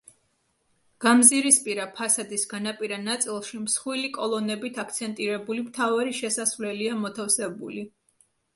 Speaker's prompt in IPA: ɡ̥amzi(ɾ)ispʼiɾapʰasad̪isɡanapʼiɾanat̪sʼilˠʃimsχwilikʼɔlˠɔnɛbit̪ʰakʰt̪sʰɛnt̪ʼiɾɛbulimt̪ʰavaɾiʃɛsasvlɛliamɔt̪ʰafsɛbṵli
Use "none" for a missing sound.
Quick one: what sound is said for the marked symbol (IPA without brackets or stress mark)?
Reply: ɾ